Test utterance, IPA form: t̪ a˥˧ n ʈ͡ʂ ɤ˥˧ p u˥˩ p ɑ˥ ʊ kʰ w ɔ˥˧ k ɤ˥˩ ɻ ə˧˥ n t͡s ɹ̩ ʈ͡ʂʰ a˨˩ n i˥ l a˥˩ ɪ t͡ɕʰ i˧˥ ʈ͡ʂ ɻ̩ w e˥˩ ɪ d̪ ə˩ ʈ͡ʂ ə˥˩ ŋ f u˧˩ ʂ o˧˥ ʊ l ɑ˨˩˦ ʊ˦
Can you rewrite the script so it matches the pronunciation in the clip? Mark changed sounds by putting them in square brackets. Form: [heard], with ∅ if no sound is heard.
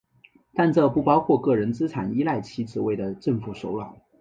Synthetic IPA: t̪ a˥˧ n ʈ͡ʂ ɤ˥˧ p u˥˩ p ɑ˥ ʊ kʰ w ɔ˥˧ k ɤ˥˩ ɻ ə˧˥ n t͡s ɹ̩ ʈ͡ʂʰ a˨˩ n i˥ l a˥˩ ɪ t͡ɕʰ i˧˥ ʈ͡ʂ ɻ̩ w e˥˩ ɪ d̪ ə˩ ʈ͡ʂ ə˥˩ ŋ f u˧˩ ʂ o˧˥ ʊ l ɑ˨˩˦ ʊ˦